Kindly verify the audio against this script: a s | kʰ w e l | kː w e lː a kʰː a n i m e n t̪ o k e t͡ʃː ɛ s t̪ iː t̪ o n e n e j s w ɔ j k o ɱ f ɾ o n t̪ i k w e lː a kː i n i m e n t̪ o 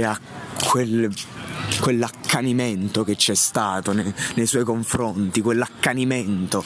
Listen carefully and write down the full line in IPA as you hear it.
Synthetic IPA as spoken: a | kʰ w e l | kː w e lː a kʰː a n i m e n t̪ o k e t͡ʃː ɛ s t̪ aː t̪ o n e n e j s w ɔ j k o ɱ f ɾ o n t̪ i k w e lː a kː a n i m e n t̪ o